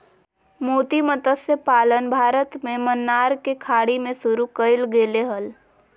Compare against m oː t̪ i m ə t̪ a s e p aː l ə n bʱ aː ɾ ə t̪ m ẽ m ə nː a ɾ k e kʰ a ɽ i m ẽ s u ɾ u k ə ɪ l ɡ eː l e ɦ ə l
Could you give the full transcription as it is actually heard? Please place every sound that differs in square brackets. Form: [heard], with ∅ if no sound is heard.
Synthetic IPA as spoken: m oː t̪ i m ə t̪ [ə] s e p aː l ə n bʱ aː ɾ ə t̪ m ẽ m ə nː a ɾ k e kʰ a ɽ i m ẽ s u ɾ u k ə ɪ l ɡ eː l e ɦ ə l